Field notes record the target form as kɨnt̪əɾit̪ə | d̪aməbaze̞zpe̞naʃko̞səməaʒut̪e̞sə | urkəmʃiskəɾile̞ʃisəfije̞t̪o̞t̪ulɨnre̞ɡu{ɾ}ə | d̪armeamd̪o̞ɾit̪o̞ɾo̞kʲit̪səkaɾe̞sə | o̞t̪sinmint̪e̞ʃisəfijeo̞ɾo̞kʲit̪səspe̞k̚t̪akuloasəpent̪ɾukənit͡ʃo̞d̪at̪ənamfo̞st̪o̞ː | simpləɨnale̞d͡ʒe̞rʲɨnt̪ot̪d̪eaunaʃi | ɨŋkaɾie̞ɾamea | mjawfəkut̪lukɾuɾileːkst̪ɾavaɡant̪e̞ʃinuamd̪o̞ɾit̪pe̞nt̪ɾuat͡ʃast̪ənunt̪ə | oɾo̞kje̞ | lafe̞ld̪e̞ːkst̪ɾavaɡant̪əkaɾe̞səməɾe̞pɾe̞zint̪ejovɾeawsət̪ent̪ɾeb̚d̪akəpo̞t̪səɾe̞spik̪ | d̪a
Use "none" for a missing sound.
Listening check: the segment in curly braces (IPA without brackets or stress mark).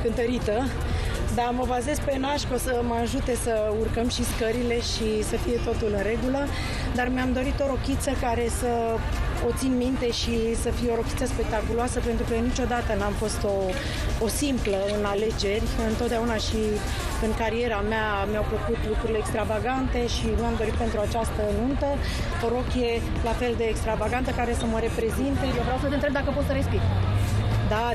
l